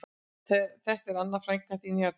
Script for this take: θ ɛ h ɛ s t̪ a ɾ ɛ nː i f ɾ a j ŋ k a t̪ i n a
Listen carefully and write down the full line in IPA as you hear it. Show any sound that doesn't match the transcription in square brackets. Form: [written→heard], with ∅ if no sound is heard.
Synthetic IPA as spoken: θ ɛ [h→θ] ɛ [s→h] t̪ [a→ɛ] ɾ [ɛ→a] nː [i→a] f ɾ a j ŋ k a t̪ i n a